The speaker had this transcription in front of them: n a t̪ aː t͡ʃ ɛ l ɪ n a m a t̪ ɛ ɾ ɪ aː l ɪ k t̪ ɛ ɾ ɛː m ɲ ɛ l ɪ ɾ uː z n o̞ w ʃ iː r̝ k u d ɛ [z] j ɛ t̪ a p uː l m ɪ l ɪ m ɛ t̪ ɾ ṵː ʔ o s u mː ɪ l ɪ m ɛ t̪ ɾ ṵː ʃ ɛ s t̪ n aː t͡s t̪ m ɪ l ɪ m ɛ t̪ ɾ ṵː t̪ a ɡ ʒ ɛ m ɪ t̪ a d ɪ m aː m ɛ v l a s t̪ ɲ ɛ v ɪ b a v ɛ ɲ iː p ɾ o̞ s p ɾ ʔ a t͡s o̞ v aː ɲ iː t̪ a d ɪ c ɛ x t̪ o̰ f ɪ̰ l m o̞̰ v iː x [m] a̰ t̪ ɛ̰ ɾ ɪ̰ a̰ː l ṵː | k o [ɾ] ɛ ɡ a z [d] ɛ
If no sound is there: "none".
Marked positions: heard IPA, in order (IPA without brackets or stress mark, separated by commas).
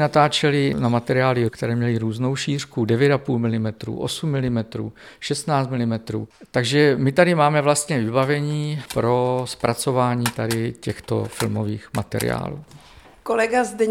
v, m, l, d